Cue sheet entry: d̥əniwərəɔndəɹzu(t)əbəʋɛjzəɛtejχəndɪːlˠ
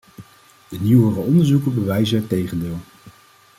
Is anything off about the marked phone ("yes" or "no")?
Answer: yes